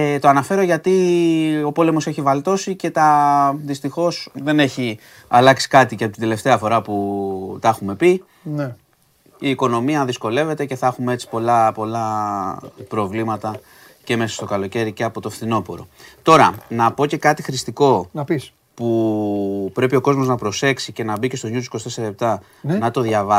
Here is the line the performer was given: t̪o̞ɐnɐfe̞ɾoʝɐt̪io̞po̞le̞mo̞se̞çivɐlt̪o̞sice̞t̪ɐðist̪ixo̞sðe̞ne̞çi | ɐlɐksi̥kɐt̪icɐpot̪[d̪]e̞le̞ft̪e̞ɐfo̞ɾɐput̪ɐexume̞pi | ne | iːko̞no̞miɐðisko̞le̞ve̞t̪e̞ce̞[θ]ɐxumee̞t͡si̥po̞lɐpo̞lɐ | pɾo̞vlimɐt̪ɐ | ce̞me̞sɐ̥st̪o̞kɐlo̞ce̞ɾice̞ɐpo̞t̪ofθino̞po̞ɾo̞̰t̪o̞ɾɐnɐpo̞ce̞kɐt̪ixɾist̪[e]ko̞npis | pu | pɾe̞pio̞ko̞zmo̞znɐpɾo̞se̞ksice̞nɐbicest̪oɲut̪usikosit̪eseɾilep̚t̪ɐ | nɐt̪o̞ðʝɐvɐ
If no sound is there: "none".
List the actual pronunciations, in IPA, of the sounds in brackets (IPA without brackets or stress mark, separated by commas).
d̪, θ, i